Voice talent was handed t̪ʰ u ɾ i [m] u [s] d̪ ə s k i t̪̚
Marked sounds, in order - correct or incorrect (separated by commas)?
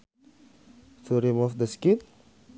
correct, incorrect